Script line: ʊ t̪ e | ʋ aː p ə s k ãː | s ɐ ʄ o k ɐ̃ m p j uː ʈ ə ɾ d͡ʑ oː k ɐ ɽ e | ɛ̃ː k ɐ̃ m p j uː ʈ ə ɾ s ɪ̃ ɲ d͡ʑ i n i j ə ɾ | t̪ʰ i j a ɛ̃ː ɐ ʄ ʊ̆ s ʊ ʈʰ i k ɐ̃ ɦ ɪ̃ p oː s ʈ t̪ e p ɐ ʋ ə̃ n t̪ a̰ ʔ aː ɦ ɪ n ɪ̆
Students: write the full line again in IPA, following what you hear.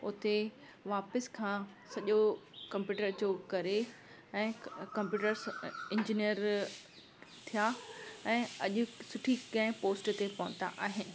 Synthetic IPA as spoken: ʊ t̪ e | ʋ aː p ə s kʰ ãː | s ɐ ʄ o k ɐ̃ m p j uː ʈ ə ɾ d͡ʑ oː k ɐ ɾ e | ɛ̃ː k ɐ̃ m p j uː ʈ ə ɾ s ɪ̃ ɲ d͡ʑ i n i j ə ɾ | t̪ʰ i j a ɛ̃ː ɐ ʄ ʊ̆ s ʊ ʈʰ i k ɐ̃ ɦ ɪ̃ p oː s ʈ t̪ e p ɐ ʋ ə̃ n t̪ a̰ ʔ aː ɦ ɪ n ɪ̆